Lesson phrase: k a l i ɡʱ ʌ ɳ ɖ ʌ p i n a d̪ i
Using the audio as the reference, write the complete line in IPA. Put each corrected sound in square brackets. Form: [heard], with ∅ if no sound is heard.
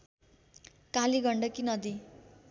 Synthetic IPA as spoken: k a l i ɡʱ ʌ ɳ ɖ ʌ [k] i n [ʌ] d̪ i